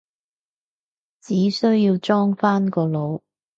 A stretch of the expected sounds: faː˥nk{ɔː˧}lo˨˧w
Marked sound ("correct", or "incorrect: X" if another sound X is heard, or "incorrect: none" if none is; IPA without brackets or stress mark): correct